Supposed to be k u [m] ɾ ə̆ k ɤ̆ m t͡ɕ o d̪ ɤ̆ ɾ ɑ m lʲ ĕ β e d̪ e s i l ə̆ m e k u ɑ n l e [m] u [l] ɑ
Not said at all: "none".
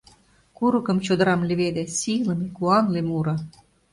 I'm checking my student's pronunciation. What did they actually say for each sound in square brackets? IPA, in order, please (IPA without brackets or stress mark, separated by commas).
none, m, ɾ